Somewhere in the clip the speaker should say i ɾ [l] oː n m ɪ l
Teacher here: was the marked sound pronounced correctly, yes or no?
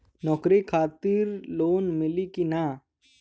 yes